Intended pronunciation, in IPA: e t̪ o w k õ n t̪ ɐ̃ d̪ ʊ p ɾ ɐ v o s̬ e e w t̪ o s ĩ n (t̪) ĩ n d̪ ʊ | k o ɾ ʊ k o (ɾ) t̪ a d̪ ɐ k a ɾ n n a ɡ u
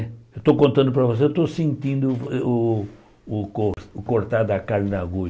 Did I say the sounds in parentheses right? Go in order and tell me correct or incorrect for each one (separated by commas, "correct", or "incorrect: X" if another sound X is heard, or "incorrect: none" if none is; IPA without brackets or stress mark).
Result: correct, correct